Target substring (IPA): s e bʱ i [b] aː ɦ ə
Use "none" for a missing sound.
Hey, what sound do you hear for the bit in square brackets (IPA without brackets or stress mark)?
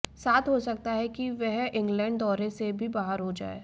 b